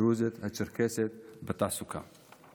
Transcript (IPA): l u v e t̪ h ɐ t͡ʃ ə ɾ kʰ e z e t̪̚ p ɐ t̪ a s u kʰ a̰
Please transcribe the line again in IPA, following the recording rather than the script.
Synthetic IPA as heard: ɾ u z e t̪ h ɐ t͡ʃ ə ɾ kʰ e s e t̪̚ b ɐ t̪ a s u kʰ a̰